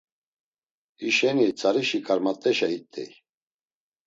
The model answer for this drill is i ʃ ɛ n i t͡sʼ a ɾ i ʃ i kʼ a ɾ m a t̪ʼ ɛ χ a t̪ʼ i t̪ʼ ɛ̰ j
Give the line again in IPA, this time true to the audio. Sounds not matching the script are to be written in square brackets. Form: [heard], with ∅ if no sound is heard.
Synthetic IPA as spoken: i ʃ ɛ n i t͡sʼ a ɾ i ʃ i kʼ a ɾ m a t̪ʼ ɛ [ʃ] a [∅] i t̪ʼ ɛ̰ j